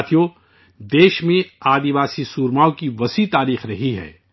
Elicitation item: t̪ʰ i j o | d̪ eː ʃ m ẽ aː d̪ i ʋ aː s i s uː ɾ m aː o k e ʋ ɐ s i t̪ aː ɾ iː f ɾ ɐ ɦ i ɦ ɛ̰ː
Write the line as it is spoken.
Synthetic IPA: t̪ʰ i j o | d̪ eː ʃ m ẽ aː d̪ i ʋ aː s i s uː ɾ m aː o k i ʋ ɐ s i t̪ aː ɾ iː x ɾ ɐ ɦ i ɦ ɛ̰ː